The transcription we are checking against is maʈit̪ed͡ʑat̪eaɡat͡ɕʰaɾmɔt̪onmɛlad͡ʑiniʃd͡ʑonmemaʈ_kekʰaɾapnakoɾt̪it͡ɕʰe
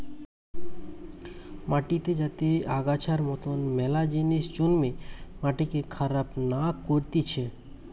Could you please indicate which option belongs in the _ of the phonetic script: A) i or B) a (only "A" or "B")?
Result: A